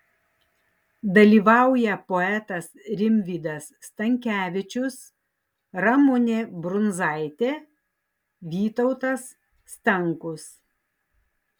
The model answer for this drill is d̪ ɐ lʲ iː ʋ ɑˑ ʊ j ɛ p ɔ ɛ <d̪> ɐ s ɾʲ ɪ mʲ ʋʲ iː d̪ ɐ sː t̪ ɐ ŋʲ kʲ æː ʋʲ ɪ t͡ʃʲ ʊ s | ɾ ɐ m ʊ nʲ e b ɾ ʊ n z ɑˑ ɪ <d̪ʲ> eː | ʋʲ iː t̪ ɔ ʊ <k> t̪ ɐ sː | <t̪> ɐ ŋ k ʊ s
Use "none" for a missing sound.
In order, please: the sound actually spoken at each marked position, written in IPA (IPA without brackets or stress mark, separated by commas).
t̪, t̪ʲ, none, t̪